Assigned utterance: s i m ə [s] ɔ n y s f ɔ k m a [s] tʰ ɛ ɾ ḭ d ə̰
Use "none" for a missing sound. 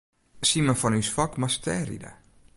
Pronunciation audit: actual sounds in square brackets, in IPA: f, s

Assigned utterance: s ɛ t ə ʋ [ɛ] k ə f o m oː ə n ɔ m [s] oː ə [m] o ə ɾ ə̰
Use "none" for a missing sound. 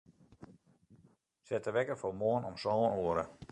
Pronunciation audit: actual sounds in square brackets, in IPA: ɛ, s, n

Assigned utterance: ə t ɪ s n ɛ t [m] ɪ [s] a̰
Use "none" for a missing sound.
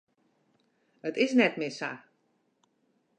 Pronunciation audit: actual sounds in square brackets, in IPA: m, s

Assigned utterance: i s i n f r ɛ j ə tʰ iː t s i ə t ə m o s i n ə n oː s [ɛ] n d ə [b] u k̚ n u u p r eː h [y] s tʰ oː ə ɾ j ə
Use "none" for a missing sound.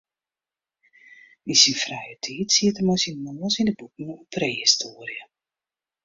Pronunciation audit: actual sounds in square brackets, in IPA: i, b, i

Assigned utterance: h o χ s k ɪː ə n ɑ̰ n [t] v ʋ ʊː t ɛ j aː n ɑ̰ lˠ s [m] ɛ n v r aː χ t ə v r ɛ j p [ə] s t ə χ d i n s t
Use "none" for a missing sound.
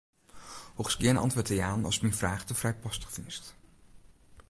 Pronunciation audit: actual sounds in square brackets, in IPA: t, m, ɑ

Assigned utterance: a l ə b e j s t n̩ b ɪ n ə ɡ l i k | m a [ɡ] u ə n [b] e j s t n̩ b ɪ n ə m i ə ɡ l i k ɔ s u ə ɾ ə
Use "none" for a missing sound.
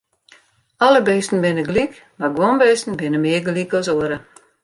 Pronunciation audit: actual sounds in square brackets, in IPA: ɡ, b

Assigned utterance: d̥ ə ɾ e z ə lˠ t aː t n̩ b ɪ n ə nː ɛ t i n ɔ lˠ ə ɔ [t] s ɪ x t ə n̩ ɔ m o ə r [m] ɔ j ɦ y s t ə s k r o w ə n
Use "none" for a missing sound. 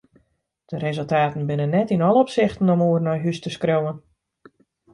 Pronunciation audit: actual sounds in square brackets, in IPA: p, n

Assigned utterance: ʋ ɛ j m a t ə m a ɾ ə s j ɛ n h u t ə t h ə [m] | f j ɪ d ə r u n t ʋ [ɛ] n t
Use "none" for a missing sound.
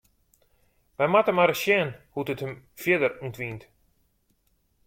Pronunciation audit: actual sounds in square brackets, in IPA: m, i

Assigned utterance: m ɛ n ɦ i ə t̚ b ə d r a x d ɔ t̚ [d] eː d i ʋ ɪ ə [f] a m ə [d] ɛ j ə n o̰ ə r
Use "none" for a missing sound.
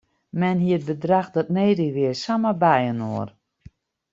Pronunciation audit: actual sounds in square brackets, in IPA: n, s, b

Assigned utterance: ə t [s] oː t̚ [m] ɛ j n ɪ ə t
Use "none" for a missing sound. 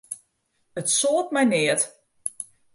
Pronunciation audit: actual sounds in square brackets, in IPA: s, m

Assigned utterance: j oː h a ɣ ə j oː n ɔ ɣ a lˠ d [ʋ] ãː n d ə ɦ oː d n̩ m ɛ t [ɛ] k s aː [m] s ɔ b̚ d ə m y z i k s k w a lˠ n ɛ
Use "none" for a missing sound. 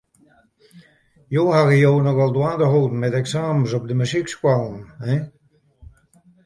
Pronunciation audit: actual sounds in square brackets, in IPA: w, ɛ, m

